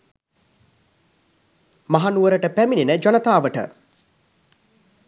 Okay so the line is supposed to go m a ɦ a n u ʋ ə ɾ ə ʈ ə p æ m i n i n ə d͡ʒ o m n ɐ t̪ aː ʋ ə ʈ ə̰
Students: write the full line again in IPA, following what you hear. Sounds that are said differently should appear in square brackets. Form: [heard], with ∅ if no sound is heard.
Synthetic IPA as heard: m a ɦ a n u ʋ ə ɾ ə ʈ ə p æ m i n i n ə d͡ʒ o [∅] n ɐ t̪ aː ʋ ə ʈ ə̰

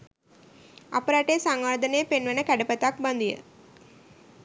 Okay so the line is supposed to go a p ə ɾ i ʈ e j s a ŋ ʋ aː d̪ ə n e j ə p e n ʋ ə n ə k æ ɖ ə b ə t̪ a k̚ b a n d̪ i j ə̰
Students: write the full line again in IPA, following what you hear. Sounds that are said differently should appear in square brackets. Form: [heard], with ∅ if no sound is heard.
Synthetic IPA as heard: a p ə ɾ [a] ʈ e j s a ŋ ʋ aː d̪ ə n e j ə p e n ʋ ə n ə k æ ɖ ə [p] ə t̪ a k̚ b a n d̪ i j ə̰

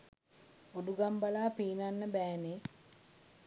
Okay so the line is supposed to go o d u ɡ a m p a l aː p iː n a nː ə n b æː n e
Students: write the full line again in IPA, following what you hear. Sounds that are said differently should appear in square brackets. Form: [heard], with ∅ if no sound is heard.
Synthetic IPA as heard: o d u ɡ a m [b] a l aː p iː n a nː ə [∅] b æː n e

